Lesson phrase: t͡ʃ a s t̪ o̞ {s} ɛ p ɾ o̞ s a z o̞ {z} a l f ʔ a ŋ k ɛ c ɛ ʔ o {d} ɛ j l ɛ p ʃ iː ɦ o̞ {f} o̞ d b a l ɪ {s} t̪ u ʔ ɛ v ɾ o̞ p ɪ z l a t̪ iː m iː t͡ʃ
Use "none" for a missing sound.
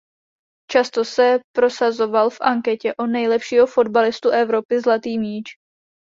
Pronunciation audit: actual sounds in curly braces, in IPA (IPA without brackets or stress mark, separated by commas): s, v, n, f, s